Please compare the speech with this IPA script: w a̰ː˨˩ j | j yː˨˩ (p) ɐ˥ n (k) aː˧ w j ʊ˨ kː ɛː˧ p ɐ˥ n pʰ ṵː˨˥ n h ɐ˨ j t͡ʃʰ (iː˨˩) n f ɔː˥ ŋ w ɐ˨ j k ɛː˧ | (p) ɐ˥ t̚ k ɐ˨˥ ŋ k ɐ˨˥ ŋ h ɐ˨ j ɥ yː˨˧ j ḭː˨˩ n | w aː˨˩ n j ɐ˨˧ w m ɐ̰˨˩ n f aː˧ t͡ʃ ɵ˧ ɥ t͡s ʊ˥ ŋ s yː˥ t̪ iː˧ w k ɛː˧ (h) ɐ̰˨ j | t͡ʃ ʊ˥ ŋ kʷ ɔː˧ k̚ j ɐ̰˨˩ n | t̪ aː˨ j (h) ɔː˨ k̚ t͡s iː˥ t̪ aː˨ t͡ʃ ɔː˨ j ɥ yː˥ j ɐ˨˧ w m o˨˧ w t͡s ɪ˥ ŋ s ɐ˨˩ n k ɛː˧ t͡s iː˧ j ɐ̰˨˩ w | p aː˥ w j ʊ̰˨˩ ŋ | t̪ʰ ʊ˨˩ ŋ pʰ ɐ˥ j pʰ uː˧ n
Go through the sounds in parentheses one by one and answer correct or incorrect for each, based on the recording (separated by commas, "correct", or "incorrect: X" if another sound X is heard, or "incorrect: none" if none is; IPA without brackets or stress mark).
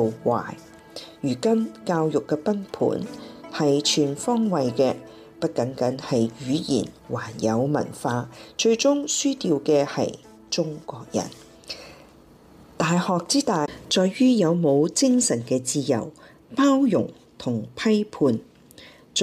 incorrect: k, correct, incorrect: yː˨˩, correct, correct, correct